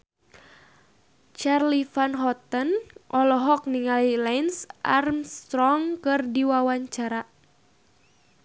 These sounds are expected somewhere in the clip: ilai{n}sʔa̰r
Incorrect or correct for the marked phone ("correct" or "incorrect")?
correct